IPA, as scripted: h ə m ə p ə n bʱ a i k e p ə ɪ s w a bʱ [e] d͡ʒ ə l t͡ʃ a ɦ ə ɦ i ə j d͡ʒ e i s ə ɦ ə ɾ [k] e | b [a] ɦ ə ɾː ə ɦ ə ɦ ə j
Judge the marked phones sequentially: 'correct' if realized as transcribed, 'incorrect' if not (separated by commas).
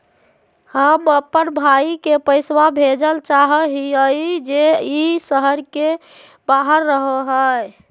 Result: correct, correct, correct